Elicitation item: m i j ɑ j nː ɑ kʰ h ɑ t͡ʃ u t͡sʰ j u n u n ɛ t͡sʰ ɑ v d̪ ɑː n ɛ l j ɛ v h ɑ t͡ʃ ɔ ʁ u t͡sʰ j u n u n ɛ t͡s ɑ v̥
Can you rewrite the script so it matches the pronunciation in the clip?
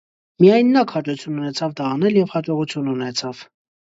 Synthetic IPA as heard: m i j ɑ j nː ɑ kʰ h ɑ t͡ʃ u t͡sʰ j u n u n ɛ t͡sʰ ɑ v d̪ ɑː n ɛ l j ɛ v h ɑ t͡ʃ ɔ ʁ u t͡sʰ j u n u n ɛ t͡sʰ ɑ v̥